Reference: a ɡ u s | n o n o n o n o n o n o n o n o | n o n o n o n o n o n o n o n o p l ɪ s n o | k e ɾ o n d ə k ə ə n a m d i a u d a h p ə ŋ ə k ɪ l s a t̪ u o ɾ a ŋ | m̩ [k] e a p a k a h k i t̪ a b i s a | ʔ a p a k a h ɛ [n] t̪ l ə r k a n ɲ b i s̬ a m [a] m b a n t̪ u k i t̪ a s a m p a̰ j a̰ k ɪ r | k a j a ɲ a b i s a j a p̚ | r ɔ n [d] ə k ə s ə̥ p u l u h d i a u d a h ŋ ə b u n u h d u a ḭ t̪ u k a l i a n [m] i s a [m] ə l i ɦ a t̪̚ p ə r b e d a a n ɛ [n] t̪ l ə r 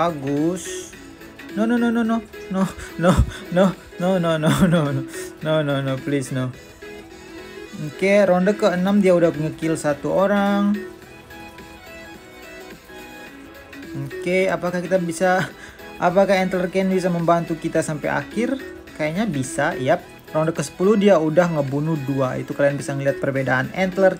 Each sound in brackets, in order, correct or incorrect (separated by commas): correct, correct, incorrect, correct, incorrect, incorrect, correct